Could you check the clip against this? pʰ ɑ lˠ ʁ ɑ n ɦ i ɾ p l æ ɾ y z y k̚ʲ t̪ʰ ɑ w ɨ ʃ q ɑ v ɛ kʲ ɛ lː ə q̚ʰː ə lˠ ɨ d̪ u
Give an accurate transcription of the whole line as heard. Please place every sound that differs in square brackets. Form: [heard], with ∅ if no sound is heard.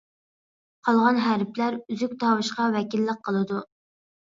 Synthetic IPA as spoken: [qʰ] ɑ lˠ ʁ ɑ n ɦ [æ] ɾ p l æ ɾ y z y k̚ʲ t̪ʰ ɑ w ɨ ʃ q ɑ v ɛ kʲ [i] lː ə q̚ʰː ə lˠ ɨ d̪ u